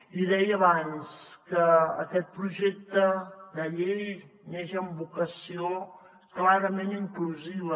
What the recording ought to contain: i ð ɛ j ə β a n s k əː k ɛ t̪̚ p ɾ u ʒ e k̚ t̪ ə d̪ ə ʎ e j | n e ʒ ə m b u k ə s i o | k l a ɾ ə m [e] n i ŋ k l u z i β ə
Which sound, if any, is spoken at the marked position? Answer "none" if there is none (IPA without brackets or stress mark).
e